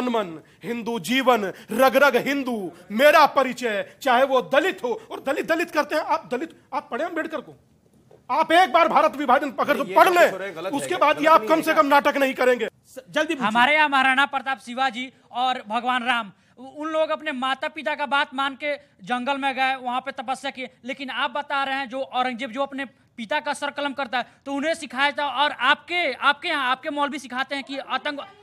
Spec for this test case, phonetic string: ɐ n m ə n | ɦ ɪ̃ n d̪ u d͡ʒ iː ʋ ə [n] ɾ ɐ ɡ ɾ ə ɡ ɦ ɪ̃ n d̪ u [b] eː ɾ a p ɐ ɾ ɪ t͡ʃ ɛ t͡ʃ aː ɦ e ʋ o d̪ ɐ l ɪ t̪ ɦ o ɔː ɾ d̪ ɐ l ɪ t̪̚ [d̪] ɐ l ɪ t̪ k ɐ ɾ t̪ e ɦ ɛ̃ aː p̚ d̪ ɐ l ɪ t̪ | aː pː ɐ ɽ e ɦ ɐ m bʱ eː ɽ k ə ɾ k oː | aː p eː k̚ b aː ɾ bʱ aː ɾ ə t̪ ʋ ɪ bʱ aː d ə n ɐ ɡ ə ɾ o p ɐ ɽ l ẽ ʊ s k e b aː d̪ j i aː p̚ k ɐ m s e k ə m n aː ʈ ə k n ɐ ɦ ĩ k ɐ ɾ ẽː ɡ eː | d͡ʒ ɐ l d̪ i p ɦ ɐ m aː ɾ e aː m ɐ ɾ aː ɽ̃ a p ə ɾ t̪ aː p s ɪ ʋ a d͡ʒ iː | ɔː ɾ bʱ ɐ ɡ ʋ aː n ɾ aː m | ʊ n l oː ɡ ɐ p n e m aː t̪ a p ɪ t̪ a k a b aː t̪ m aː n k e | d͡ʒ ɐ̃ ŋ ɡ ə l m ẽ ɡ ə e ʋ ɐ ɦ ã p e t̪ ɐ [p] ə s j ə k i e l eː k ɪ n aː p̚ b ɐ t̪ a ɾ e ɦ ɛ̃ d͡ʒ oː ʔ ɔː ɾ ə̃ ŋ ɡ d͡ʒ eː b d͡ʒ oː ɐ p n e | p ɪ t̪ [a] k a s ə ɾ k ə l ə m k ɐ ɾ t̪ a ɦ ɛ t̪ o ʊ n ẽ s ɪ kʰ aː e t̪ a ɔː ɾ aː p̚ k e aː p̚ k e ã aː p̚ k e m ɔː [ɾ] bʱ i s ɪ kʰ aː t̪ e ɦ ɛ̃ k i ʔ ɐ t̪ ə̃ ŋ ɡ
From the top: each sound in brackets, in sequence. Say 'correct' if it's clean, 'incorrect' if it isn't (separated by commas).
correct, incorrect, correct, correct, correct, incorrect